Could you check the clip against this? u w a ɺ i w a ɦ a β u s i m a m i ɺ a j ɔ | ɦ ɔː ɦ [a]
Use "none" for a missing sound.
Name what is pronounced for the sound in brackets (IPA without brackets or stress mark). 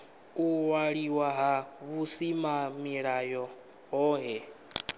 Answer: ɛ